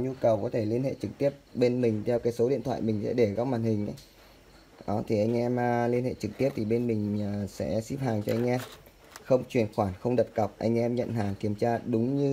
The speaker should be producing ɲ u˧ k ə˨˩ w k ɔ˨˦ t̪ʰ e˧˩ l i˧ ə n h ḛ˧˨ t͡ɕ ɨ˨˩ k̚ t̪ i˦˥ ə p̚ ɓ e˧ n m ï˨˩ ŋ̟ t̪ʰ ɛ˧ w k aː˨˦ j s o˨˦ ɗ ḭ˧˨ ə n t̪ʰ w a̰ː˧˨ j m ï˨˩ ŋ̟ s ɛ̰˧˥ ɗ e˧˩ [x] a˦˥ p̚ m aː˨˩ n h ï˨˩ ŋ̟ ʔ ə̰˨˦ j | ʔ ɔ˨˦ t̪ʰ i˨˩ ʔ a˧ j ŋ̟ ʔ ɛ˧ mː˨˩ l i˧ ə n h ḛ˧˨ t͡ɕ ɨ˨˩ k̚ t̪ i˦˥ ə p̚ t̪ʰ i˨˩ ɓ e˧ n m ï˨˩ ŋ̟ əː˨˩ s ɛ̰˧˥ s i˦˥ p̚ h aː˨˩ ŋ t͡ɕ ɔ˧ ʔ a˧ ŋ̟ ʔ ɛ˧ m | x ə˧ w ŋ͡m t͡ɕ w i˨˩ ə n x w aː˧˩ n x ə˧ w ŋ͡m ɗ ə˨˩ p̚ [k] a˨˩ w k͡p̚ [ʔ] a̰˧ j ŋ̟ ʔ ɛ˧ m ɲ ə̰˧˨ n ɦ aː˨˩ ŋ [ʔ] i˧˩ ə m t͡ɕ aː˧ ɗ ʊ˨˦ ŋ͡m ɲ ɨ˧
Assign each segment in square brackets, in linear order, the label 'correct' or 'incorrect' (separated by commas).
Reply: incorrect, correct, correct, incorrect